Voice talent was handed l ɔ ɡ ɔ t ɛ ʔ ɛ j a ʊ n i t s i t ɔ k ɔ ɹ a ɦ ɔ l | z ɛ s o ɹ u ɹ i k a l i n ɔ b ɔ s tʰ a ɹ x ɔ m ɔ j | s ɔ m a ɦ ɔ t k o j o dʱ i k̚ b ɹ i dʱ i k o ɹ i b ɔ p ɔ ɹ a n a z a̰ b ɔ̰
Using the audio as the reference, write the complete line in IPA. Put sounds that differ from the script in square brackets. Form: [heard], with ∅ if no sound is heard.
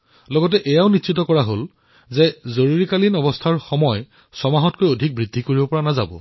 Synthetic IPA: l ɔ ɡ ɔ t ɛ ʔ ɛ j a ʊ n i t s i t ɔ k ɔ ɹ a ɦ [o] l | z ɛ [z] o ɹ u ɹ i k a l i n ɔ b ɔ s tʰ a ɹ x ɔ m ɔ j | s ɔ m a ɦ ɔ t k o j o dʱ i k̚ b ɹ i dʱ i k o ɹ i b ɔ p ɔ ɹ a n a z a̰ b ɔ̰